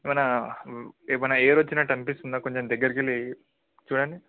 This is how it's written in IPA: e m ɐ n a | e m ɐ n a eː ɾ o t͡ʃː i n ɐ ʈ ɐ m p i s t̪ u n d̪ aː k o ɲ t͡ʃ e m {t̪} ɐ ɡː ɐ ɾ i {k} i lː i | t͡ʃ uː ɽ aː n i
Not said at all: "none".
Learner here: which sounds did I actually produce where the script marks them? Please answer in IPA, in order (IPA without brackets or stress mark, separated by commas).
d̪, k